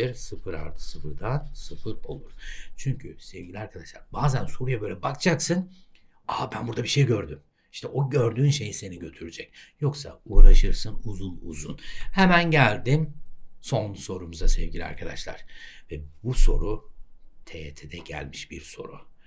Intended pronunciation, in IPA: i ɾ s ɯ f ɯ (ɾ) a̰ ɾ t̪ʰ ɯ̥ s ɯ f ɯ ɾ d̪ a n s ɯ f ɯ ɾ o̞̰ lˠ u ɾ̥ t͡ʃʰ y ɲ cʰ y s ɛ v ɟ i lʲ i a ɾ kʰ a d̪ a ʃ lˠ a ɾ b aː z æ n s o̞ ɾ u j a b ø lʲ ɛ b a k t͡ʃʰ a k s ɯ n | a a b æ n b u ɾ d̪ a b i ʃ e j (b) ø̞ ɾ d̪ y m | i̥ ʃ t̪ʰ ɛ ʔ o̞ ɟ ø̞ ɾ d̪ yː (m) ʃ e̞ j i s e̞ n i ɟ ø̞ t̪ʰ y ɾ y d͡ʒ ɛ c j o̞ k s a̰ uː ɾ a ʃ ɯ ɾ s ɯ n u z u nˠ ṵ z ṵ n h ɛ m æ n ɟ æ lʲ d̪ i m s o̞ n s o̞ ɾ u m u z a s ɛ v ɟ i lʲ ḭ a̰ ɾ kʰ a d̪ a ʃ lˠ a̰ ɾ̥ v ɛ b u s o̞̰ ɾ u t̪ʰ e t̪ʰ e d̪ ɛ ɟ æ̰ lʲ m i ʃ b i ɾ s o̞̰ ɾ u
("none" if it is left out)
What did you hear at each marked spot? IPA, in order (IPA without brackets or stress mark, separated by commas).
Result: ɾ, ɟ, n